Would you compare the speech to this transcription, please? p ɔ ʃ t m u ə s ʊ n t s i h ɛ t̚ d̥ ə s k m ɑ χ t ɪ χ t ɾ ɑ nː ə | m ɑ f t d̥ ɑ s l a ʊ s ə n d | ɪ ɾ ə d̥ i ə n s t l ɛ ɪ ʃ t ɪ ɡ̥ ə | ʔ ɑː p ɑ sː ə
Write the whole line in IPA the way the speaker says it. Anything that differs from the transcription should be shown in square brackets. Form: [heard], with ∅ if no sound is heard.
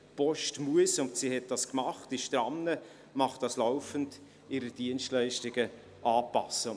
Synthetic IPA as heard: p ɔ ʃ t m u ə s ʊ n t s i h ɛ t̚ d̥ [ɑ] s k m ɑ χ t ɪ [ʃ] t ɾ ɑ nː ə | m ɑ [χ] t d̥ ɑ s l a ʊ [f] ə n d | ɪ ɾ ə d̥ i ə n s t l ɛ ɪ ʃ t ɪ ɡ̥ ə | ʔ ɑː p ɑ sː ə